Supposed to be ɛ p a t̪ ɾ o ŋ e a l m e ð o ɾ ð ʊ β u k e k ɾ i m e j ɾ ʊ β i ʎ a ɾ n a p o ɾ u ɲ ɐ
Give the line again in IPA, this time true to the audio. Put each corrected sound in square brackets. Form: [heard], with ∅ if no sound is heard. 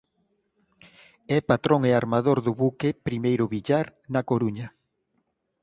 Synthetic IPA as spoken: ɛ p a t̪ ɾ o ŋ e a [ɾ] m [a] ð o ɾ ð ʊ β u k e [p] ɾ i m e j ɾ ʊ β i ʎ a ɾ n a [k] o ɾ u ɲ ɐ